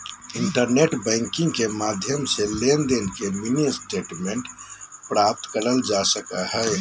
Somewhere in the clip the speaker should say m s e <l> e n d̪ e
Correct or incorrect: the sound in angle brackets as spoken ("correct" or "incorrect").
correct